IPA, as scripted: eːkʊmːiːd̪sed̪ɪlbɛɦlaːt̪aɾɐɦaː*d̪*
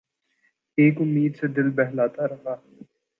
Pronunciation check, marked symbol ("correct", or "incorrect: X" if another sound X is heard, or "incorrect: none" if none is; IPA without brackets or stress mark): incorrect: none